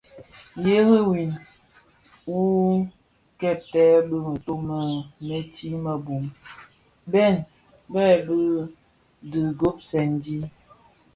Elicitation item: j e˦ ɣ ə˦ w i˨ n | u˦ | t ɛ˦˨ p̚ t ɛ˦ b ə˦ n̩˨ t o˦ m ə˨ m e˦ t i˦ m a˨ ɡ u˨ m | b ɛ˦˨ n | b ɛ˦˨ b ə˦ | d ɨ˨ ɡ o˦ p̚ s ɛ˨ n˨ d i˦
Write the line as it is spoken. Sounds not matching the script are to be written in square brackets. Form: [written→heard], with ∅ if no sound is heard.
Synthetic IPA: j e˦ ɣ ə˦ w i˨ n | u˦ | [t→k] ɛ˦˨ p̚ t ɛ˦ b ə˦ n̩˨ t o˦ m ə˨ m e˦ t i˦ m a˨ [ɡ→b] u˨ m | b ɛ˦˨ n | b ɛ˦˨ b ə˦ | d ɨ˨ ɡ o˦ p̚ s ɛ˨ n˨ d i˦